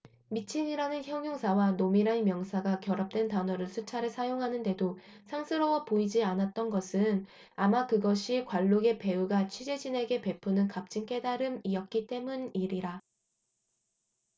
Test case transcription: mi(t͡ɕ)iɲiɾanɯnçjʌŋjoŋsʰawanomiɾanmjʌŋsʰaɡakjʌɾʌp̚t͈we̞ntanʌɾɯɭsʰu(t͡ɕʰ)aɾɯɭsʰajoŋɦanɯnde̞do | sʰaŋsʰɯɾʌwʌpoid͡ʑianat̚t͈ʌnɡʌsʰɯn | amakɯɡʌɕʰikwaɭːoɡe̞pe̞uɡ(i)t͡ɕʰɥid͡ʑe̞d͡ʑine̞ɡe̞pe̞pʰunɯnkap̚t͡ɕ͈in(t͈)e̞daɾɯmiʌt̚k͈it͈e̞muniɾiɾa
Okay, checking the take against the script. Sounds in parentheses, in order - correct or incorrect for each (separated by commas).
incorrect, correct, incorrect, incorrect